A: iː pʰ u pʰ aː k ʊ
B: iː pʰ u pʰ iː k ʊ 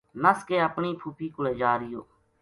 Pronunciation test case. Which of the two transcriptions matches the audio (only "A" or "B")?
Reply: B